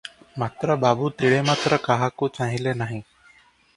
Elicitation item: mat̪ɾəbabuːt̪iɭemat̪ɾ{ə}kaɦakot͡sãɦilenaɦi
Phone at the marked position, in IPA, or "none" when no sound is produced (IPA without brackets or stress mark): ə